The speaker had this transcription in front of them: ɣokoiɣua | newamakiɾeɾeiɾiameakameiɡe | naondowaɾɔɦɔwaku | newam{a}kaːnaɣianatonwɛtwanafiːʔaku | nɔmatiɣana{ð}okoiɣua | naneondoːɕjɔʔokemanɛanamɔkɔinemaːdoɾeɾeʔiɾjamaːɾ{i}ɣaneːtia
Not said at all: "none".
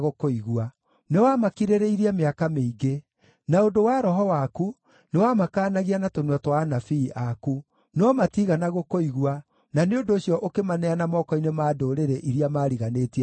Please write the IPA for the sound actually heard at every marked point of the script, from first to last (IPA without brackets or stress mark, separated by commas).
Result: a, ɣ, i